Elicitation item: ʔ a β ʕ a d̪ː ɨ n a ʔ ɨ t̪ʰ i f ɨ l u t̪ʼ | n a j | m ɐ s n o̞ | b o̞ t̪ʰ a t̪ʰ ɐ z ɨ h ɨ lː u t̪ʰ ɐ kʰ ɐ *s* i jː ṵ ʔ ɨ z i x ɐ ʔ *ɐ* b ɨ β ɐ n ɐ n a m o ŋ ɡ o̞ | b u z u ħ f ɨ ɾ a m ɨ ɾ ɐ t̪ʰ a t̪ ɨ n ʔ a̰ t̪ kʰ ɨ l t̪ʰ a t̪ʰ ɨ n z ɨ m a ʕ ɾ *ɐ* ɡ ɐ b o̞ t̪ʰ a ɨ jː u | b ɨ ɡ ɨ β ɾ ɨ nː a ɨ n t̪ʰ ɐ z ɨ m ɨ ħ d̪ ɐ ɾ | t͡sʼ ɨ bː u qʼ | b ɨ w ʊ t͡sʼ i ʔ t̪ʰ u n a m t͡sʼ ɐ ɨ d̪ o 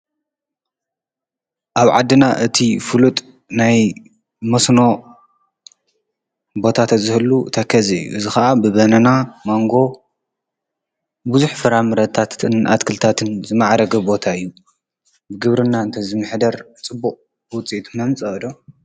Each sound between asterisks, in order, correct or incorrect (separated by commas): incorrect, incorrect, correct